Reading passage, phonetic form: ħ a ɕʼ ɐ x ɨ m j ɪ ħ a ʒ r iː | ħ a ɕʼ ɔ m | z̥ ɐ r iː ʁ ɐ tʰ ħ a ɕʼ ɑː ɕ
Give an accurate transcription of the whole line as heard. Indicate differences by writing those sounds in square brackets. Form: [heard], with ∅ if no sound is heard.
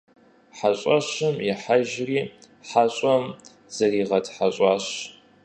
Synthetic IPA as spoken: ħ a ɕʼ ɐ [ɕ] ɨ m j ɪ ħ a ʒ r iː | ħ a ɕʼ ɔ m | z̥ ɐ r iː ʁ ɐ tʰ ħ a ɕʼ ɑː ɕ